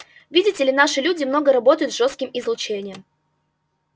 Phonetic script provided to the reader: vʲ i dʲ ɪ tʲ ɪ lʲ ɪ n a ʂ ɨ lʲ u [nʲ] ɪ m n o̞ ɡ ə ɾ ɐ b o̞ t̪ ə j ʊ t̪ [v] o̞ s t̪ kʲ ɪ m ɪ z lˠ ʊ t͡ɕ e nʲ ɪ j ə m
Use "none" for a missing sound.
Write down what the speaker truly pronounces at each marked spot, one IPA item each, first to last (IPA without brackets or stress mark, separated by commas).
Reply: dʲ, ʐ